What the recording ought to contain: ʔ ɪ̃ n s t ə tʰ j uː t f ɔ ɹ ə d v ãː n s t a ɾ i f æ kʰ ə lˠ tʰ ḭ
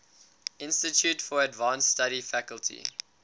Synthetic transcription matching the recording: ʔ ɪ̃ n s t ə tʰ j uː t f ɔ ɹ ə d v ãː n s t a ɾ i f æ k ə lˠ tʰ ḭ